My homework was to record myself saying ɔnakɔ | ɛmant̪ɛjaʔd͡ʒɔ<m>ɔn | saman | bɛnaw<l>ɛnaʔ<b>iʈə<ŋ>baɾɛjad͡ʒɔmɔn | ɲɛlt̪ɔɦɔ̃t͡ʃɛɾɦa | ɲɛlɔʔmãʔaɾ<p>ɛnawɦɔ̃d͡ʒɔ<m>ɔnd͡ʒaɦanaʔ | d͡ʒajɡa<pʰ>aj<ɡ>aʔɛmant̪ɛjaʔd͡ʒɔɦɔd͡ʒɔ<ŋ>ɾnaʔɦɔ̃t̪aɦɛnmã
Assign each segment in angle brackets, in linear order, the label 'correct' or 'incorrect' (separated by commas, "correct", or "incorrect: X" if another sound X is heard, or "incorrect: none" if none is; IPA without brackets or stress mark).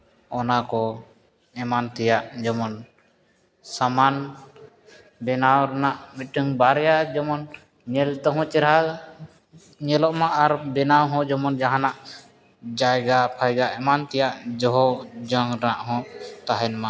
correct, incorrect: ɾ, incorrect: m, correct, incorrect: b, correct, correct, correct, correct